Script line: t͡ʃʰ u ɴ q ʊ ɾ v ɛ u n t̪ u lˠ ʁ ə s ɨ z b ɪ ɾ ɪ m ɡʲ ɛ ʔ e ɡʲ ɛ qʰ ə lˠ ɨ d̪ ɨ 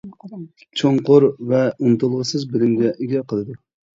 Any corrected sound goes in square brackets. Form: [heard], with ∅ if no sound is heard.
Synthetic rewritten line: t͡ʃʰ [o] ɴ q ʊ ɾ v ɛ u n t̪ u lˠ ʁ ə s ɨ z b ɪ [l] ɪ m ɡʲ ɛ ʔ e ɡʲ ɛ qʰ ə lˠ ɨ d̪ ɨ